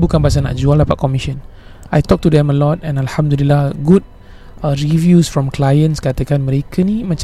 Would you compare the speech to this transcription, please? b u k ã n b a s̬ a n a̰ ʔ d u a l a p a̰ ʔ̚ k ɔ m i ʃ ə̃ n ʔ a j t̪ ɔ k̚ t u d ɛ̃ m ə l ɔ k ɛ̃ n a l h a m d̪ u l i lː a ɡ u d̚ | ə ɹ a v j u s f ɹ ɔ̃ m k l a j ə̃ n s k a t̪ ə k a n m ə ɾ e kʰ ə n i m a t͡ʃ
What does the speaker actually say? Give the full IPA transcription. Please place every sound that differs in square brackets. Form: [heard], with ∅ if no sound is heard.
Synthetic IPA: b u k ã n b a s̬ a n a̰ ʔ [d͡ʒ] u a l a p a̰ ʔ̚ k ɔ m i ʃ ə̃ n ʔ a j t̪ ɔ k̚ t u d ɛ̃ m ə l ɔ [t] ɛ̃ n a l h a m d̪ u l i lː a ɡ u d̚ | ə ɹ [i] v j u s f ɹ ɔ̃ m k l a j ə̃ n s k a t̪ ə k a n m ə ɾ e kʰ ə n i m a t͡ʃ